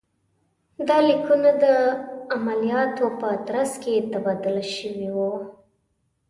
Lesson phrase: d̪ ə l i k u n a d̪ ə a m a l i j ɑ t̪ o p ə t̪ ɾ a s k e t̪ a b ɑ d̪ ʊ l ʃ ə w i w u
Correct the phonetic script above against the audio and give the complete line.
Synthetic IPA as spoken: d̪ ɑ l i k u n a d̪ ə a m a l i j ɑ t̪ o p ə t̪ ɾ a s k e t̪ a b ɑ d̪ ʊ l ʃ ə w i w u